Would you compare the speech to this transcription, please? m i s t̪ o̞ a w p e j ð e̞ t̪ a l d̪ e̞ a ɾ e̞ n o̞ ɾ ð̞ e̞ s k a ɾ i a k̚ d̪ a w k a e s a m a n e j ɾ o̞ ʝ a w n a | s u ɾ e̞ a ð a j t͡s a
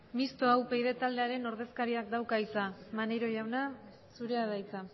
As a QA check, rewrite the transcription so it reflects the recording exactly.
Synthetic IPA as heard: m i s t̪ o̞ a w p e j ð e̞ t̪ a l d̪ e̞ a ɾ e̞ n o̞ ɾ ð̞ e̞ s k a ɾ i a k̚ d̪ a w k a i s a m a n e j ɾ o̞ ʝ a w n a | s u ɾ e̞ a ð a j t͡s a